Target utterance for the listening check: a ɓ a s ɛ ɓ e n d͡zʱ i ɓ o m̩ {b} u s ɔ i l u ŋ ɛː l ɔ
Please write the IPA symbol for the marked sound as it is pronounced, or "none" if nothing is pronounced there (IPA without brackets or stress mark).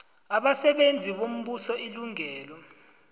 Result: ɓ